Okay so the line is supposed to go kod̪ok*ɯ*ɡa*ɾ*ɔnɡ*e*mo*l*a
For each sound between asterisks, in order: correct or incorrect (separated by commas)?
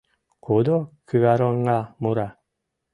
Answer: correct, correct, incorrect, incorrect